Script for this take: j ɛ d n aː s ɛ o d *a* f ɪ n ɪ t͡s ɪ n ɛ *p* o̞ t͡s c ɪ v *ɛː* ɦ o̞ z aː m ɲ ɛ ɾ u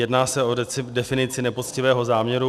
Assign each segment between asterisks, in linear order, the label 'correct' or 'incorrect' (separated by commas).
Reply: incorrect, correct, correct